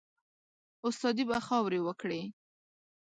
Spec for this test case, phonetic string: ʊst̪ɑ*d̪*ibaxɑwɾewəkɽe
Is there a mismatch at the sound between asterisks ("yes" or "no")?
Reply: no